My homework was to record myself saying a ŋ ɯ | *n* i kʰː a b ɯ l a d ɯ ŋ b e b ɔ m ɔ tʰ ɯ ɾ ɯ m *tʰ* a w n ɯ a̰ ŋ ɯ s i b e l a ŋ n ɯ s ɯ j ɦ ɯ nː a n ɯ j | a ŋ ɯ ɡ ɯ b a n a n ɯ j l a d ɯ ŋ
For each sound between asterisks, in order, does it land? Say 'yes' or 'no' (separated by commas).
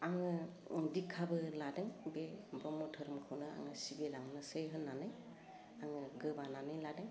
no, no